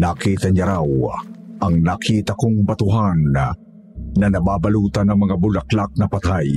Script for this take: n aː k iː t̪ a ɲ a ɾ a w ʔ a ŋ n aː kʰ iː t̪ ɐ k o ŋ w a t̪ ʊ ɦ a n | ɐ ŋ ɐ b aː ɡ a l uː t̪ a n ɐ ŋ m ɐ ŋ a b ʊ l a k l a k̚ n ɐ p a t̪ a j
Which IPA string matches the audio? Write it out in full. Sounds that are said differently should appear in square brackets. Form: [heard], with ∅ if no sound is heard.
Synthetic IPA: n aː k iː t̪ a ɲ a ɾ a w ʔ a ŋ n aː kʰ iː t̪ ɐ k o ŋ [b] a t̪ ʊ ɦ a n | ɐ [n] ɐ b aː [b] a l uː t̪ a n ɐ ŋ m ɐ ŋ a b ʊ l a k l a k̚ n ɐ p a t̪ a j